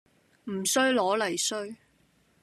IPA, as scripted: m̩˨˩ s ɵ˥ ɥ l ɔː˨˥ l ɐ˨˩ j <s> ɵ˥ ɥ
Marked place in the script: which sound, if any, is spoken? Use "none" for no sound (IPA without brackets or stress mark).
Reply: s